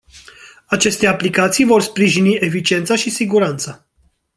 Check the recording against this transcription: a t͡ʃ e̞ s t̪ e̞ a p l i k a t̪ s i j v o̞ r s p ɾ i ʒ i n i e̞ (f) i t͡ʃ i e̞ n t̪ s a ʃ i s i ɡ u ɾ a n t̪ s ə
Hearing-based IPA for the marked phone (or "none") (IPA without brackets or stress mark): f